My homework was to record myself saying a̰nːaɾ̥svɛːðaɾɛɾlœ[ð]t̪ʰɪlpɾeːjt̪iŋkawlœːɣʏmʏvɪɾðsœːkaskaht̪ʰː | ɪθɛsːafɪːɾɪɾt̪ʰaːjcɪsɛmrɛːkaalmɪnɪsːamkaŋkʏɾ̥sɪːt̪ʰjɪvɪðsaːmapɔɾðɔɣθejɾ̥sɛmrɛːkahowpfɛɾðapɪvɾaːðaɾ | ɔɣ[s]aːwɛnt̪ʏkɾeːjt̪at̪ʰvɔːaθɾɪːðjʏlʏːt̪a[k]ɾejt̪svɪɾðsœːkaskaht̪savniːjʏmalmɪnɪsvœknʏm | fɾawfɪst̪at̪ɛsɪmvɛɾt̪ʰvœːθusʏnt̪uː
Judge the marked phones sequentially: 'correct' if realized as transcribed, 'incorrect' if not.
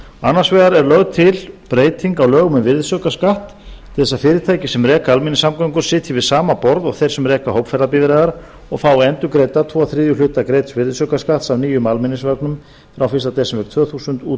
incorrect: ɣ, incorrect: f, correct

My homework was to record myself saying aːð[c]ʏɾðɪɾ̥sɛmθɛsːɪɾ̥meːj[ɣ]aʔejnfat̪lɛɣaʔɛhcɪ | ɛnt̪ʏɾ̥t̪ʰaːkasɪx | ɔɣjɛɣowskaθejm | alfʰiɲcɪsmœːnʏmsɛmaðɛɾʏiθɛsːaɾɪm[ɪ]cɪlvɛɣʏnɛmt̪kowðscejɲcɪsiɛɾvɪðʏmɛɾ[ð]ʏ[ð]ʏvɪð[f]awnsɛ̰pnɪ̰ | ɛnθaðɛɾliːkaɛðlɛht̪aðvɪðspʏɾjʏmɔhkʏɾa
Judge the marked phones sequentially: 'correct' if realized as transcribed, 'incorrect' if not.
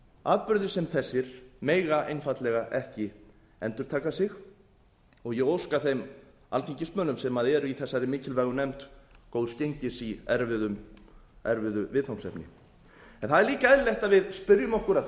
incorrect: p, correct, incorrect: ɪː, incorrect: v, correct, incorrect: θ

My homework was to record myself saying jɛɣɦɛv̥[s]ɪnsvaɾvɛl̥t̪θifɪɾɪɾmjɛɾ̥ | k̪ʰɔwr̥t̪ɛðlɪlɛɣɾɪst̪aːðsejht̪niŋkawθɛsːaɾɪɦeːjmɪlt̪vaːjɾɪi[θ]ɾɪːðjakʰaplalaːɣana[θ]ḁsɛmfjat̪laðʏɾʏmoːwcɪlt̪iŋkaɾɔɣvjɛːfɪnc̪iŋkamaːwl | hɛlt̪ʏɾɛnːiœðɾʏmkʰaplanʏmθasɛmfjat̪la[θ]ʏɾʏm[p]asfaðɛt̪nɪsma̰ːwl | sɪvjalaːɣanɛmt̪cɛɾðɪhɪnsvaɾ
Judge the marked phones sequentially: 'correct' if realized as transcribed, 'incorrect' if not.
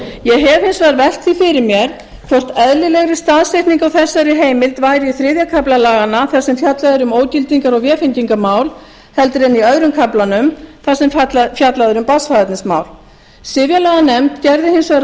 incorrect: h, correct, correct, incorrect: ð, correct

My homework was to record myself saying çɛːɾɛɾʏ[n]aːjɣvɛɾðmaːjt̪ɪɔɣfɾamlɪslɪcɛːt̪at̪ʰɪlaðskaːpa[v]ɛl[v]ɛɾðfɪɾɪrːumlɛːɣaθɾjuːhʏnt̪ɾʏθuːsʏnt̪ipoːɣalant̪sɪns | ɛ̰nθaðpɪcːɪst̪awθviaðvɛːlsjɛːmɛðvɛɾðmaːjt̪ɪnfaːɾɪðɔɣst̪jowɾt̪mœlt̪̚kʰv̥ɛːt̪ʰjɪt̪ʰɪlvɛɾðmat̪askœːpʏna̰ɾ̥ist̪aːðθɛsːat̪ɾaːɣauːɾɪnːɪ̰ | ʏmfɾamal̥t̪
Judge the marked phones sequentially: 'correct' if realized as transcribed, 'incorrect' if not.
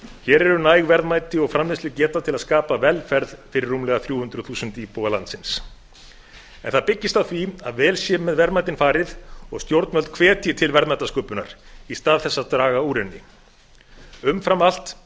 correct, correct, incorrect: f

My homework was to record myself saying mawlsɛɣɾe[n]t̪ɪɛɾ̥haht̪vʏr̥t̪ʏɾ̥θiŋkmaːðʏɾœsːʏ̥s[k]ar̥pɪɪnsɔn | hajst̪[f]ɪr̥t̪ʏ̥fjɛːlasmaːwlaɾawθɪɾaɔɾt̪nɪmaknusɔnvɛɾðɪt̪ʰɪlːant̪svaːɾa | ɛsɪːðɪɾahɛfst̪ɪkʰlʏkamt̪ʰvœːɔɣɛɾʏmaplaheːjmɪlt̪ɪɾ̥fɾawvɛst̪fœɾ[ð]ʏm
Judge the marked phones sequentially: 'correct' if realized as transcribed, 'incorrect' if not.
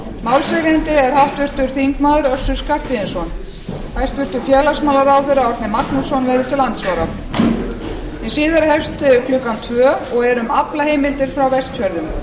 correct, correct, incorrect: v, correct

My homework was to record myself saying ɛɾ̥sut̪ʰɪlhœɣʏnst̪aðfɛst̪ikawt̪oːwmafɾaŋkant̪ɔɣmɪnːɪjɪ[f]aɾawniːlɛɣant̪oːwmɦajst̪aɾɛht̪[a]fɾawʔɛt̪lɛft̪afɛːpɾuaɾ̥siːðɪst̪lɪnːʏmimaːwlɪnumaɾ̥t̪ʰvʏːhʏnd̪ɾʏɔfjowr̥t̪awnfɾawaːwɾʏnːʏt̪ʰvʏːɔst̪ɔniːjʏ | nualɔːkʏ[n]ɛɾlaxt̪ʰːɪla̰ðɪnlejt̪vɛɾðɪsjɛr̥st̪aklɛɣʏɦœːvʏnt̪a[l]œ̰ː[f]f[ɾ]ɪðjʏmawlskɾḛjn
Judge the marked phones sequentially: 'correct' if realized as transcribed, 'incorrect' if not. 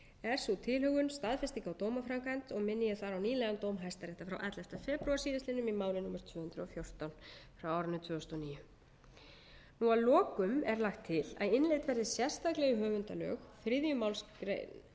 incorrect: θ, correct, incorrect: m, correct, incorrect: x, correct

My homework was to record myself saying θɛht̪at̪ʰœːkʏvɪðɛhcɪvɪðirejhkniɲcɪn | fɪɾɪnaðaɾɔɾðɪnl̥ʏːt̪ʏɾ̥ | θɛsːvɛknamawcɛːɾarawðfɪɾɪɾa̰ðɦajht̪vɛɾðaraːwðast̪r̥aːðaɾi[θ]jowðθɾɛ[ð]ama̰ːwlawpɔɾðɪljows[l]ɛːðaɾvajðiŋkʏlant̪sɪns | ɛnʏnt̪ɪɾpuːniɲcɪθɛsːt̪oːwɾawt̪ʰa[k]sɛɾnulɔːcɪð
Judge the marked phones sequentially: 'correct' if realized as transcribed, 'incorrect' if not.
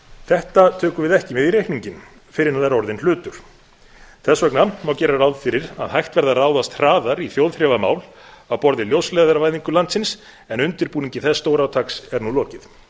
correct, incorrect: v, correct, correct

